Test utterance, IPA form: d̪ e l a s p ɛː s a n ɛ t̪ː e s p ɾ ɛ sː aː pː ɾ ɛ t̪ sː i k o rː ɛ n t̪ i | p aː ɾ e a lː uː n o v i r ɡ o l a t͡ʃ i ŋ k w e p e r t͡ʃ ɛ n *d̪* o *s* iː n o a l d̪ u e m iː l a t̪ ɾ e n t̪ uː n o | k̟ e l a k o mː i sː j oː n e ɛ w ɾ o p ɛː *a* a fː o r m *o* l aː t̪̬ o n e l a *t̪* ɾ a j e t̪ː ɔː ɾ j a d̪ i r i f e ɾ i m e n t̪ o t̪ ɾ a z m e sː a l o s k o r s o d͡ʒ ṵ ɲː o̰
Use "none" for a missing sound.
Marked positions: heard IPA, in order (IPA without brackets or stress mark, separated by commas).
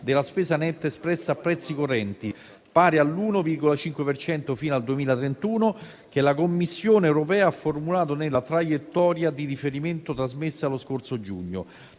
t̪, f, a, u, t̪